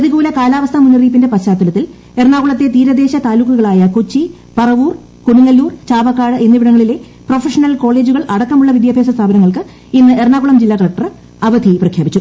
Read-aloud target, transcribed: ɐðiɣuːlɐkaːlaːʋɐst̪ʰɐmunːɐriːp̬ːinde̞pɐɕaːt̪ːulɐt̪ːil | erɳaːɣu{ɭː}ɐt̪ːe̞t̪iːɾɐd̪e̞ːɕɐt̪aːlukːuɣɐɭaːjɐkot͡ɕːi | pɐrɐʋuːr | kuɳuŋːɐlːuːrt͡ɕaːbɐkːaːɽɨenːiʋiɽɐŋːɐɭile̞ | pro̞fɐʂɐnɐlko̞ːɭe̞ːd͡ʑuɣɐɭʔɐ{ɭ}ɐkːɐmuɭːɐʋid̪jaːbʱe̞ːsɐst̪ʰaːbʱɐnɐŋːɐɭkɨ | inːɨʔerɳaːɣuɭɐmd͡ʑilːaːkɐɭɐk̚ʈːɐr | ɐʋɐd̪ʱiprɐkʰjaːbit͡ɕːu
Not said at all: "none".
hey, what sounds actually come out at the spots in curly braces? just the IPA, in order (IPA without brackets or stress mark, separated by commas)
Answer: ɭ, ɽ